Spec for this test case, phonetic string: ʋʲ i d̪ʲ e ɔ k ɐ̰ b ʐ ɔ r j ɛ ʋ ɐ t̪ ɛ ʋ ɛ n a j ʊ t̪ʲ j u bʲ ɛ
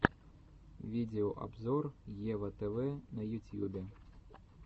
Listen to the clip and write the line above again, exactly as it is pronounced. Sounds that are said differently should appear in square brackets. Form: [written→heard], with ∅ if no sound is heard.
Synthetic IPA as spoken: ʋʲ i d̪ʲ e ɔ [k→ʔ] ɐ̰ b [ʐ→z] ɔ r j ɛ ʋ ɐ t̪ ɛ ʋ ɛ n [a→ɐ] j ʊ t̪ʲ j u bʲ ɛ